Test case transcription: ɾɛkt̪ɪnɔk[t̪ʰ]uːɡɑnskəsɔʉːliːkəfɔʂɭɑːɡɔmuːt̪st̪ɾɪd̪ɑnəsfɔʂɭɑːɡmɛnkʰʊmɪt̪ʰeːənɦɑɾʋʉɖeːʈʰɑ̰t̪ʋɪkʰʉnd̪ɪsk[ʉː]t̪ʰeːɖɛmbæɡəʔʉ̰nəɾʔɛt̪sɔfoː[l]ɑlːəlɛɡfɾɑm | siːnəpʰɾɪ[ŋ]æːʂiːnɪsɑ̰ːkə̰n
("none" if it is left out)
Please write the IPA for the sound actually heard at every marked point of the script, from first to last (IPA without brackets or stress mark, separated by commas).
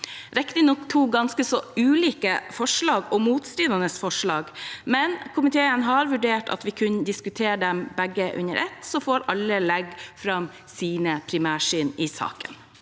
t̪ʰ, ʉ, ɾ, m